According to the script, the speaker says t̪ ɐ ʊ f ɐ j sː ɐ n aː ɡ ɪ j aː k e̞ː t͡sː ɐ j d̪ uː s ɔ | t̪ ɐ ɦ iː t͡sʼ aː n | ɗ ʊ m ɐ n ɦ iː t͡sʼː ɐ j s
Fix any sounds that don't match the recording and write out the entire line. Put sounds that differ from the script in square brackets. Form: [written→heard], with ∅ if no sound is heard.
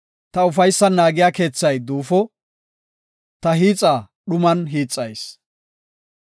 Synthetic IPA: t̪ ɐ ʊ f ɐ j sː ɐ n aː ɡ ɪ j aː k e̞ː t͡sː ɐ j d̪ uː [s→f] ɔ | t̪ ɐ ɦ iː t͡sʼ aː [n→∅] | ɗ ʊ m ɐ n ɦ iː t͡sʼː ɐ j s